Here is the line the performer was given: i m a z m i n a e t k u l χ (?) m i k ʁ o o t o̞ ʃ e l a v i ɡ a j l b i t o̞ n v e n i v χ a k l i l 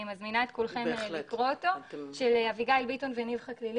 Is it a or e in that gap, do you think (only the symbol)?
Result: e